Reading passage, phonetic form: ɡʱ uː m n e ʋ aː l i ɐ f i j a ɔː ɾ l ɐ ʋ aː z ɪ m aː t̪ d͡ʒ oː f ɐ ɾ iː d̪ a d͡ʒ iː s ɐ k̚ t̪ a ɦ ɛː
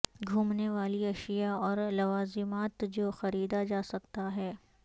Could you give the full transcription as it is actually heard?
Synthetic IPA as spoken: ɡʱ uː m n e ʋ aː l i ɐ ʃ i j a ɔː ɾ l ɐ ʋ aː z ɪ m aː t̪ d͡ʒ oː x ɐ ɾ iː d̪ a d͡ʒ aː s ɐ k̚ t̪ a ɦ ɛː